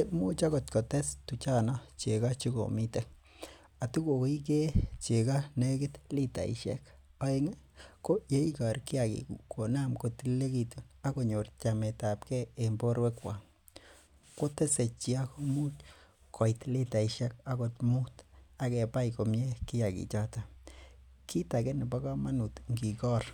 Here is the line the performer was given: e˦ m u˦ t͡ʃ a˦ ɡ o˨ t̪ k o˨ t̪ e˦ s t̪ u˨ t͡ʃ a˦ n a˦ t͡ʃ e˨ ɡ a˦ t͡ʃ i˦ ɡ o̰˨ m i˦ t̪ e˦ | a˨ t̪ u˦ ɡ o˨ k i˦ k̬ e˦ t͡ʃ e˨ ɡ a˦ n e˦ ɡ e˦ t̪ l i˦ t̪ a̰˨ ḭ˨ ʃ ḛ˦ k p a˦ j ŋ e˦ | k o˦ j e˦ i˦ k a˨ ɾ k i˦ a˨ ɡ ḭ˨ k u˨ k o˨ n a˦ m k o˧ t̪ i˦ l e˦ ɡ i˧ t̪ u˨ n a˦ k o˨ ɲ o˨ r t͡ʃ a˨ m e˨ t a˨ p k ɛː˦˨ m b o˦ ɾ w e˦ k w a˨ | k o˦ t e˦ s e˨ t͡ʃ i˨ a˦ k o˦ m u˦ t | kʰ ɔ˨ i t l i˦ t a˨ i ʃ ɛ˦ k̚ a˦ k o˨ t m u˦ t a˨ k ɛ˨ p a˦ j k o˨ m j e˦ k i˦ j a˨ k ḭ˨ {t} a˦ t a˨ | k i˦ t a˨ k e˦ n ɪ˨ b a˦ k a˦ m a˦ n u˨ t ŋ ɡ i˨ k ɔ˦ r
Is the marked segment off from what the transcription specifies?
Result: yes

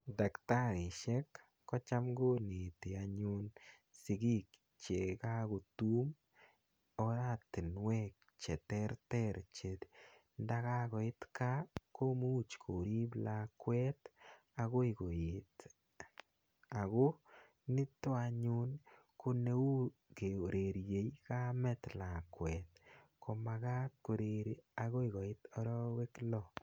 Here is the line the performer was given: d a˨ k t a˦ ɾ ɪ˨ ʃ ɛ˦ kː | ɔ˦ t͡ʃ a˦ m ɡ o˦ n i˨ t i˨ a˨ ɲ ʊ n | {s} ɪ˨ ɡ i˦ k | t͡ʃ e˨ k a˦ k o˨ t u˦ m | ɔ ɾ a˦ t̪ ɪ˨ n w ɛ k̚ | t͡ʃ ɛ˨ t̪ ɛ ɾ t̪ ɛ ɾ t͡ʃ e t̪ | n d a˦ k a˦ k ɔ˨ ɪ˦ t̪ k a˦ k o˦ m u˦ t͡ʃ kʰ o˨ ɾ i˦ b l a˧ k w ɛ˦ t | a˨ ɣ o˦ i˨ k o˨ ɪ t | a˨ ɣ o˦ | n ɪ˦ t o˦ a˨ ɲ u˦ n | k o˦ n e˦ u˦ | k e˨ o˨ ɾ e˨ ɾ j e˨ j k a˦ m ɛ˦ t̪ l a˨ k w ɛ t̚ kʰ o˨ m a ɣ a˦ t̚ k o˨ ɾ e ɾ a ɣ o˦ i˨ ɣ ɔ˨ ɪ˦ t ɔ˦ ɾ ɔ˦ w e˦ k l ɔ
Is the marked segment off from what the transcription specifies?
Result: no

